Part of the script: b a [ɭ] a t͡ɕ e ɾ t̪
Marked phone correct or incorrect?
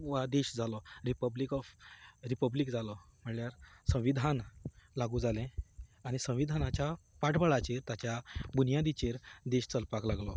correct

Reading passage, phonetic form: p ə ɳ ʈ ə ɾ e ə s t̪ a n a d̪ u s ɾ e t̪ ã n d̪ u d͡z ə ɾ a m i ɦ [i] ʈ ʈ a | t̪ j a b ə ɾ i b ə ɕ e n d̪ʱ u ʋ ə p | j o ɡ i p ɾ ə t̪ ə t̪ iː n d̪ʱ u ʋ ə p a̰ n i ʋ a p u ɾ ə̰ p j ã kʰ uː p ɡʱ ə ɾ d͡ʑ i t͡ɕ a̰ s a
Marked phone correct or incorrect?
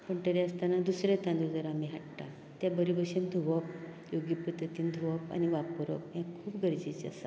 incorrect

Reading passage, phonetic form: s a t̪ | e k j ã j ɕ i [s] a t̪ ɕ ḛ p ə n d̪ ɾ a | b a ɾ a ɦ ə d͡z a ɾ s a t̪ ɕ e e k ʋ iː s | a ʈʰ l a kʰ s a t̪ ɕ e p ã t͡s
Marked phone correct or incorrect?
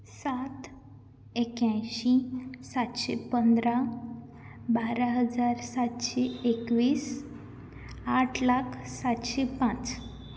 correct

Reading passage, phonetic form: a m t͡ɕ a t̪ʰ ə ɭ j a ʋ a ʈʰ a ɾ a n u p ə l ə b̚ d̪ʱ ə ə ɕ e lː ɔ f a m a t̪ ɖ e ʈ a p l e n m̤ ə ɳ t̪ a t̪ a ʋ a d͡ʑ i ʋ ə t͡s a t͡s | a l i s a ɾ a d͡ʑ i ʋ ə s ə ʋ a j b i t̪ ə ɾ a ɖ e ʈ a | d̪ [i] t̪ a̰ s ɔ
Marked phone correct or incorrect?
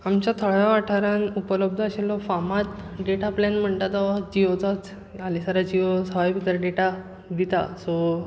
correct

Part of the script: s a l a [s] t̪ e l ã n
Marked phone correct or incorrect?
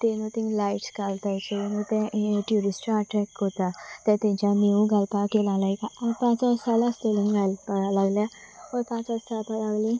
correct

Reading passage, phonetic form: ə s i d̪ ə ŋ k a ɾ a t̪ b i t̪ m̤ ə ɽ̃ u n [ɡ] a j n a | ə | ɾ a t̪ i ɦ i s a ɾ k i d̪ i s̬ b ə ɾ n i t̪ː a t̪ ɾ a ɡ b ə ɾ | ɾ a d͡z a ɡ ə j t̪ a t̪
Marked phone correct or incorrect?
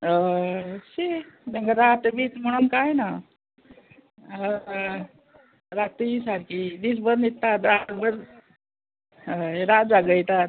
incorrect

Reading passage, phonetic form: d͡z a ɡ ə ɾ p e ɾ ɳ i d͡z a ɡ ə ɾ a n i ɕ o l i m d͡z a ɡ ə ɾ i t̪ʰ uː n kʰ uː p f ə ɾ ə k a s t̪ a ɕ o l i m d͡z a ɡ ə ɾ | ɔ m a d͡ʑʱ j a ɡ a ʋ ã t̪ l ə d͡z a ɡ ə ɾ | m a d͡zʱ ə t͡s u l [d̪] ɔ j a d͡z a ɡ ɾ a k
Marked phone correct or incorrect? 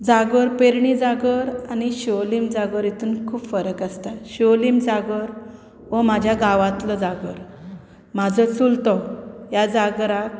incorrect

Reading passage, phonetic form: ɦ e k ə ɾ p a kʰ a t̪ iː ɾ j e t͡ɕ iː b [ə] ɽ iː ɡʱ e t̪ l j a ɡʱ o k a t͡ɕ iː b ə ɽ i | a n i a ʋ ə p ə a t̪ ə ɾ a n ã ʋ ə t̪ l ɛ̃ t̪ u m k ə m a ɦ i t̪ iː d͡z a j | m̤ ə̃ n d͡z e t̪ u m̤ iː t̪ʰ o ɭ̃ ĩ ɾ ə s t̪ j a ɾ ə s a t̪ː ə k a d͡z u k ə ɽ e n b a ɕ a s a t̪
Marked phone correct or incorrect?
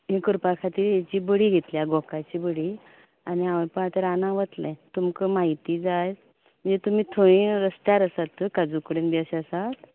correct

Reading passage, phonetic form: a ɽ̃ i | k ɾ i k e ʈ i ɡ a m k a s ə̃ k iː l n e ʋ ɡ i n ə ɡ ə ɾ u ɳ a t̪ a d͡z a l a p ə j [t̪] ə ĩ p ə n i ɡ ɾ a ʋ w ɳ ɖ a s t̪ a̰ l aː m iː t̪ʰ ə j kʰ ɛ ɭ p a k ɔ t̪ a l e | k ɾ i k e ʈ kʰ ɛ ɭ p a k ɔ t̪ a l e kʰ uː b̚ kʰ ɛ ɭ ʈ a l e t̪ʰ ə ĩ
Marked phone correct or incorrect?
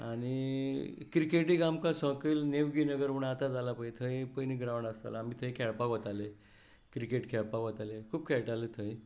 incorrect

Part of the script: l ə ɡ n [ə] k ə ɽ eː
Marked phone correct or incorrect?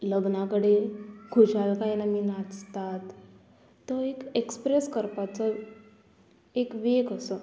incorrect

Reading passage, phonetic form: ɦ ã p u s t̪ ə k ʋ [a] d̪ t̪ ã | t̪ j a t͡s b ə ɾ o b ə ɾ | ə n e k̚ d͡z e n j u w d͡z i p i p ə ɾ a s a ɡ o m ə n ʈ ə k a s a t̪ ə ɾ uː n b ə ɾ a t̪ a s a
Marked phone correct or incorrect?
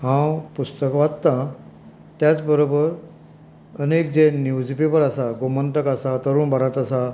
correct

